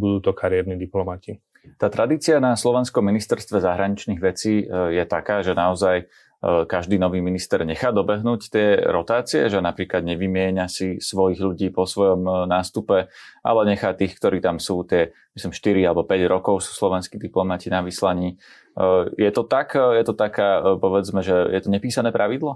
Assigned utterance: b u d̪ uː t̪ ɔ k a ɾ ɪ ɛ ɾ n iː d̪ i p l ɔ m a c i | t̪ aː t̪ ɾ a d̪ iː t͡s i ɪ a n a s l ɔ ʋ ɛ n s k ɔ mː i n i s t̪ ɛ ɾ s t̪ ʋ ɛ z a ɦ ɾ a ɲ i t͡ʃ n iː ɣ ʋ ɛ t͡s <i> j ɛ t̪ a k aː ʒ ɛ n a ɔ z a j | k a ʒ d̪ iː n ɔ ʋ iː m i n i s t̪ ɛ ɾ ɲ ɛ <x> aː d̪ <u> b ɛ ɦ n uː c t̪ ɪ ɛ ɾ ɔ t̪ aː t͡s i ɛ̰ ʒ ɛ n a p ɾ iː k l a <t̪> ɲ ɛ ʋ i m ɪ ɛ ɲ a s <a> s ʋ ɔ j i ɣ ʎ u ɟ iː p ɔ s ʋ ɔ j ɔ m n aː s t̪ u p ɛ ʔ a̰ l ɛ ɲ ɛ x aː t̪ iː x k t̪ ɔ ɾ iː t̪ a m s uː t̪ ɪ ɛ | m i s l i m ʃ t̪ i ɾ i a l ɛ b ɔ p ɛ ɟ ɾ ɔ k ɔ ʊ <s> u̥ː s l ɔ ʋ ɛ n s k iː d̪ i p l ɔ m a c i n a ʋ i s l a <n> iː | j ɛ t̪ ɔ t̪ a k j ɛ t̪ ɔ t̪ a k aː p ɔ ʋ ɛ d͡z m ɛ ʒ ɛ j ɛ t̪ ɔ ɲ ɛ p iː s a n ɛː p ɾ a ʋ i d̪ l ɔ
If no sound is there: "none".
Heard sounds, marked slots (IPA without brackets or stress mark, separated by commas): iː, x, ɔ, d̪, i, s, ɲ